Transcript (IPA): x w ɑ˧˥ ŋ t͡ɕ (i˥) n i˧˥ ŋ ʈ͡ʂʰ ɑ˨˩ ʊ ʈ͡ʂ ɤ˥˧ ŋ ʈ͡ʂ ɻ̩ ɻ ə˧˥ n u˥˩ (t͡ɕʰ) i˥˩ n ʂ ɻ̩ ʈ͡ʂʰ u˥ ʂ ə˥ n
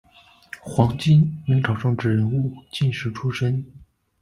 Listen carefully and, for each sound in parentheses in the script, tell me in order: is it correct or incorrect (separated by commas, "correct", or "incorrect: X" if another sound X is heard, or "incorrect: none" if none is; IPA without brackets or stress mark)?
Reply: correct, incorrect: t͡ɕ